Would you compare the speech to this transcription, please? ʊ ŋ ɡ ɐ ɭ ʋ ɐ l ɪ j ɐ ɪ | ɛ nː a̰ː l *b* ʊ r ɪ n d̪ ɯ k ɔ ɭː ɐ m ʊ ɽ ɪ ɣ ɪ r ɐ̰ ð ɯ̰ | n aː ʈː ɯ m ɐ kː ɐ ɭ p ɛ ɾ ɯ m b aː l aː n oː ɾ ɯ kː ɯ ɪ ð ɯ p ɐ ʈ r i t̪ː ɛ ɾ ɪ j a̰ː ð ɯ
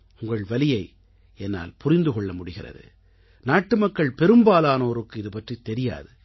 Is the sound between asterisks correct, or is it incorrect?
incorrect